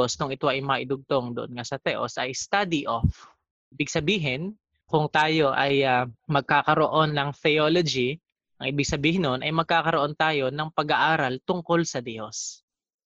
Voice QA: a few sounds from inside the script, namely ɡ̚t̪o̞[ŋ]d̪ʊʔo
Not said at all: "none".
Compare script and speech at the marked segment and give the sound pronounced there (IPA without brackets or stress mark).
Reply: ŋ